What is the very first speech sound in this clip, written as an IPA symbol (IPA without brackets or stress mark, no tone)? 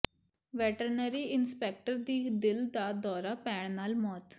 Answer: ʋ